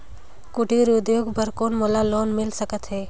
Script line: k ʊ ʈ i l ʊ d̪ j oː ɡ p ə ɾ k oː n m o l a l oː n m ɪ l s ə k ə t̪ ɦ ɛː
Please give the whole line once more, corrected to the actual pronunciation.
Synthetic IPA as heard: k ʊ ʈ i ɾ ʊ d̪ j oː ɡ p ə ɾ k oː n m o l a l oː n m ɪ l s ə k ə t̪ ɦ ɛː